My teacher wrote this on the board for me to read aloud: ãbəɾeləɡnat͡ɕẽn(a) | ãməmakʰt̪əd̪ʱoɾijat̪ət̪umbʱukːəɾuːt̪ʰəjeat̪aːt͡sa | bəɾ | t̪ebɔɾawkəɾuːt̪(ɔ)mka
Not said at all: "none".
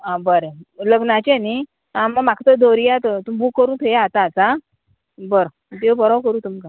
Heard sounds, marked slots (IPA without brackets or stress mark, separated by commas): i, u